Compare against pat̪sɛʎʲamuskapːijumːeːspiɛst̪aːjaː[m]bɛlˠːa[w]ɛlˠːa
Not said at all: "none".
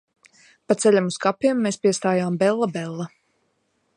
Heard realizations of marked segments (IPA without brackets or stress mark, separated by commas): m, b